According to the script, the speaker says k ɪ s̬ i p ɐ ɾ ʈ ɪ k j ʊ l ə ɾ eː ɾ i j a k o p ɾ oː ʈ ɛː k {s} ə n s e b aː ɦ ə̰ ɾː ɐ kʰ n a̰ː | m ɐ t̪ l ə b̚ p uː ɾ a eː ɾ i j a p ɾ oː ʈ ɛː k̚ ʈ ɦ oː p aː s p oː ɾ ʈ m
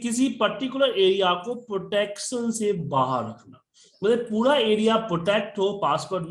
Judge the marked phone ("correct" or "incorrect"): incorrect